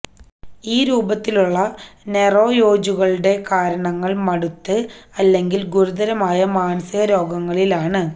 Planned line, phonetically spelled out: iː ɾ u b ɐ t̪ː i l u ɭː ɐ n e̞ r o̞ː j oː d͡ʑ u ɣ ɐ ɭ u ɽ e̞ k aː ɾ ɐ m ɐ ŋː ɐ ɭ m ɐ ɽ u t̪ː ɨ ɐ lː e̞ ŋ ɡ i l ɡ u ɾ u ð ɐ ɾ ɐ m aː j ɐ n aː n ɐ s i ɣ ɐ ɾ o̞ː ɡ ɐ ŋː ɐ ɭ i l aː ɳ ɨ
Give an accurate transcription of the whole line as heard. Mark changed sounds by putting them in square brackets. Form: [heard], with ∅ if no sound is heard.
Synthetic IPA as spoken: iː ɾ [uː] b ɐ t̪ː i l u ɭː ɐ n e̞ r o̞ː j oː d͡ʑ u ɣ ɐ ɭ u ɽ e̞ k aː ɾ ɐ [ɳ] ɐ ŋː ɐ ɭ m ɐ ɽ u t̪ː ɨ ɐ lː e̞ ŋ ɡ i l ɡ u ɾ u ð ɐ ɾ ɐ m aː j ɐ [m] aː n ɐ s i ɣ ɐ ɾ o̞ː ɡ ɐ ŋː ɐ ɭ i l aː ɳ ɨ

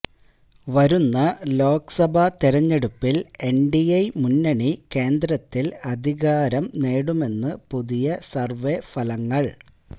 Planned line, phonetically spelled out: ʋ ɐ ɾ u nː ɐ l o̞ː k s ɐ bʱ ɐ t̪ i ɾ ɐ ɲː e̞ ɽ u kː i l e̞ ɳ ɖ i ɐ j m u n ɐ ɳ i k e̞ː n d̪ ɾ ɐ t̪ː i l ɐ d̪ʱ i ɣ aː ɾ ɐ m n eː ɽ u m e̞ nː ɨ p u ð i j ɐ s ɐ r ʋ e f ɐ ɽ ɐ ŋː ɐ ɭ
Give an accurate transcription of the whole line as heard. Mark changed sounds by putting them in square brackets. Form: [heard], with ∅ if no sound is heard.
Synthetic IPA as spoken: ʋ ɐ ɾ u nː ɐ l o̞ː k s ɐ bʱ ɐ t̪ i ɾ ɐ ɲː e̞ ɽ u [pː] i l e̞ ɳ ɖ i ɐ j m u [nː] ɐ ɳ i k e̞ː n d̪ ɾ ɐ t̪ː i l ɐ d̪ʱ i ɣ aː ɾ ɐ m n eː ɽ u m e̞ nː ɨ p u ð i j ɐ s ɐ r ʋ e f ɐ [l] ɐ ŋː ɐ ɭ

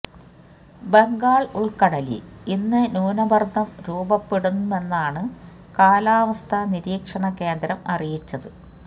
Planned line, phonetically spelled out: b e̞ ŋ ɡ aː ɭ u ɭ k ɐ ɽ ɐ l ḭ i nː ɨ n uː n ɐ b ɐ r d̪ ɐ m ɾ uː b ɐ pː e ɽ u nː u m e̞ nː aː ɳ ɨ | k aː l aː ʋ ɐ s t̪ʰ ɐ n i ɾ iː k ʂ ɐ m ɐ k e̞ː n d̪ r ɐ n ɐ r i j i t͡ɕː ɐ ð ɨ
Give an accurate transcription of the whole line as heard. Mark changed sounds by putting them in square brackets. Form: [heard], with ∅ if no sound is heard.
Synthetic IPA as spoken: b e̞ ŋ ɡ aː ɭ u ɭ k ɐ ɽ ɐ l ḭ i nː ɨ n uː n ɐ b ɐ r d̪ ɐ m ɾ uː b ɐ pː e ɽ u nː u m e̞ nː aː ɳ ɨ | k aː l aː ʋ ɐ s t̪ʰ ɐ n i ɾ iː k ʂ ɐ [ɳ] ɐ k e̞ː n d̪ [ɾ] ɐ [m] ɐ r i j i t͡ɕː ɐ ð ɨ

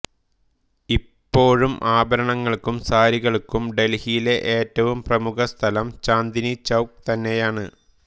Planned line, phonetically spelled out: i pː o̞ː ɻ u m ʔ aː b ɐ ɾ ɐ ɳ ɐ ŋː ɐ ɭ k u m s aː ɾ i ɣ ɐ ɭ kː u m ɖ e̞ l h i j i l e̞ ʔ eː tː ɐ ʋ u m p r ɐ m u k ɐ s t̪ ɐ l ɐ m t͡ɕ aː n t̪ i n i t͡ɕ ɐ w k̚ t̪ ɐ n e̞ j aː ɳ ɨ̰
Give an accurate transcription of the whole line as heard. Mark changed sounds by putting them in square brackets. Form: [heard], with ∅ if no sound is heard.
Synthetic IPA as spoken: i pː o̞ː ɻ u m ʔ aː b ɐ ɾ ɐ ɳ ɐ ŋː ɐ ɭ k u m s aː ɾ i ɣ ɐ ɭ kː u m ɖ e̞ l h i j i l e̞ ʔ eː tː ɐ ʋ u m p r ɐ m u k ɐ s [t̪ʰ] ɐ l ɐ m t͡ɕ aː n [d̪] i n i t͡ɕ ɐ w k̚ t̪ ɐ [nː] e̞ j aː ɳ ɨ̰

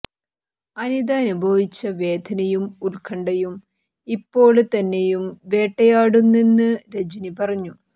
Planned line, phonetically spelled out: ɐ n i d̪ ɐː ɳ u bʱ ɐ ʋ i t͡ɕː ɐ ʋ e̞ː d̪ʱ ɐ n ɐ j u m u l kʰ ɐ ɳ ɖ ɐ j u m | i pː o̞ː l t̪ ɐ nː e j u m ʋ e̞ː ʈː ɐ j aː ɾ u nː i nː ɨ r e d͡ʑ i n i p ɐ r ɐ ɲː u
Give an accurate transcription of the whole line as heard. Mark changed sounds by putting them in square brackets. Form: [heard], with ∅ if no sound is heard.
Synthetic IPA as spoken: ɐ n i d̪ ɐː [n] u bʱ ɐ ʋ i t͡ɕː ɐ ʋ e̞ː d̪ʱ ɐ n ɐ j u m u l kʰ ɐ ɳ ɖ ɐ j u m | i pː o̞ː [ɭ] t̪ ɐ nː e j u m ʋ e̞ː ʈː ɐ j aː [ɽ] u nː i nː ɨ [ɾ] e d͡ʑ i n i p ɐ r ɐ ɲː u

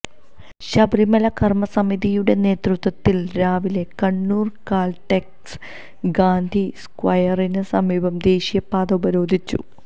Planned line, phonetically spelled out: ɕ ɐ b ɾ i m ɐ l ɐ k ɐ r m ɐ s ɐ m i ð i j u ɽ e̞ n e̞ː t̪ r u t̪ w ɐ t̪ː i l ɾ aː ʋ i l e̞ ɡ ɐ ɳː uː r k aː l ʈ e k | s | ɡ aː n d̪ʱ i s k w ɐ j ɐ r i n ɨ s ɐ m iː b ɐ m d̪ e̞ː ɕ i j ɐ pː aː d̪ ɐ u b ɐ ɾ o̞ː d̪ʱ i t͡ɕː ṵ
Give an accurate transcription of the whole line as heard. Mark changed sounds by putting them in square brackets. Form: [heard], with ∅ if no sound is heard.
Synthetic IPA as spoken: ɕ ɐ b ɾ i m ɐ l ɐ k ɐ r m ɐ s ɐ m i ð i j u ɽ e̞ n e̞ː t̪ r u t̪ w ɐ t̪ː i l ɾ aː ʋ i l e̞ [k] ɐ ɳː uː r k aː l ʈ e k | s | ɡ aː n d̪ʱ i s k w ɐ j ɐ r i n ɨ s ɐ m iː b ɐ m d̪ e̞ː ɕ i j ɐ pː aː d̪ ɐ u b ɐ ɾ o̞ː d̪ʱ i t͡ɕː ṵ

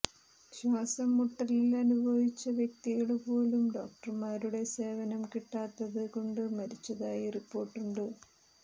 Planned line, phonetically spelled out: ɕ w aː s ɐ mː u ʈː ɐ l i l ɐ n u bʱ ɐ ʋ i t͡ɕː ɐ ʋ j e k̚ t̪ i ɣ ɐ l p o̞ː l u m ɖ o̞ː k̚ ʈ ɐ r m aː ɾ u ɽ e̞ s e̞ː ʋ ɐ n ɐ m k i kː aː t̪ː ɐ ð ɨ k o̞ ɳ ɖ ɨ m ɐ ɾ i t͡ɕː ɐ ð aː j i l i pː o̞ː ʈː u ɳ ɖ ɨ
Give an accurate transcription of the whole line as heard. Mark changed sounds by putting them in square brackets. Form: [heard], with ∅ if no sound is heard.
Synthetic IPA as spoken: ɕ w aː s ɐ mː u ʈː ɐ l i l ɐ n u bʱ ɐ ʋ i t͡ɕː ɐ ʋ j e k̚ t̪ i ɣ ɐ [ɭ] p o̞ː l u m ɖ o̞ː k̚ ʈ ɐ r m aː ɾ u ɽ e̞ s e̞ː ʋ ɐ n ɐ m k i [ʈː] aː t̪ː ɐ ð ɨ k o̞ ɳ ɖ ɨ m ɐ ɾ i t͡ɕː ɐ ð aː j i [r] i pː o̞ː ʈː u ɳ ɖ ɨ

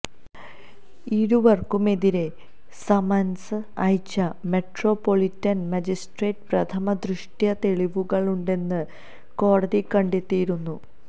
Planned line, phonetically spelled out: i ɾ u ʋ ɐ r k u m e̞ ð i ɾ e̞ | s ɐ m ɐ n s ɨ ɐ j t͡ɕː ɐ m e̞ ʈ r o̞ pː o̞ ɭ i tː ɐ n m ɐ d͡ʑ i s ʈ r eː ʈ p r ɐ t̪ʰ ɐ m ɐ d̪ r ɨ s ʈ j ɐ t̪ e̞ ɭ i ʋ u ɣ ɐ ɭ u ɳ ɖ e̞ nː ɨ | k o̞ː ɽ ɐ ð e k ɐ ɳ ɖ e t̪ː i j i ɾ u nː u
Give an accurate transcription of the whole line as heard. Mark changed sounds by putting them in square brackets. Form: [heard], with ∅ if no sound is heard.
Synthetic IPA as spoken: i ɾ u ʋ ɐ r k u m e̞ ð i ɾ e̞ | s ɐ m ɐ n s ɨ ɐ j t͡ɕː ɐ m e̞ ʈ r o̞ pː o̞ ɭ i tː ɐ n m ɐ d͡ʑ i s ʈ r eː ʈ p r ɐ t̪ʰ ɐ m ɐ d̪ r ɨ [ʂ] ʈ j ɐ t̪ e̞ ɭ i ʋ u ɣ ɐ ɭ u ɳ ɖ e̞ nː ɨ | k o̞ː ɽ ɐ ð [i] k ɐ ɳ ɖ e t̪ː i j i ɾ u nː u

